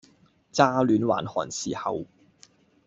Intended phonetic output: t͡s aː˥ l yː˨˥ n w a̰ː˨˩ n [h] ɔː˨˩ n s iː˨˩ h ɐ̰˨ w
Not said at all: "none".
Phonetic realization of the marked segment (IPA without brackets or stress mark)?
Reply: h